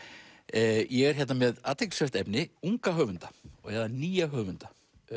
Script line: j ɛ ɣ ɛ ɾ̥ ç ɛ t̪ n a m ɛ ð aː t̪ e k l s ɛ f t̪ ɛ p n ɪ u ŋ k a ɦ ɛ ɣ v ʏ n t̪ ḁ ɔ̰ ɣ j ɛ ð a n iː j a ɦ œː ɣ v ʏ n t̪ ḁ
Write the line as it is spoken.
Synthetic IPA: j ɛ ɣ ɛ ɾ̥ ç ɛ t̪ n a m ɛ ð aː t̪ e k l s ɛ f t̪ ɛ p n ɪ u ŋ k a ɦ œ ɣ v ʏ n t̪ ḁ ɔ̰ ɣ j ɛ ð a n iː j a ɦ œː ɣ v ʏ n t̪ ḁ